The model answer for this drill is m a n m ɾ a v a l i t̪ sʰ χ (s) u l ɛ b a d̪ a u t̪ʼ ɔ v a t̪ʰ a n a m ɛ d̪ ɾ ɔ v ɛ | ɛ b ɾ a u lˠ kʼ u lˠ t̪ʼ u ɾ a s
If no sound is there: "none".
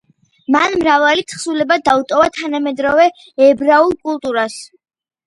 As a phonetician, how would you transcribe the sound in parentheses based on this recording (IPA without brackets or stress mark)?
s